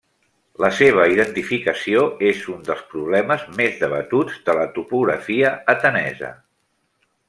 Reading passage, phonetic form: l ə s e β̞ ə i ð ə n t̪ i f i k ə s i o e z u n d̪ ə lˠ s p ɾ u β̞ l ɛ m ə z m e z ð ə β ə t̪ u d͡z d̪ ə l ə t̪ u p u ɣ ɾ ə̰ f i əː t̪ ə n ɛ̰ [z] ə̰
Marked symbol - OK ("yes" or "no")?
yes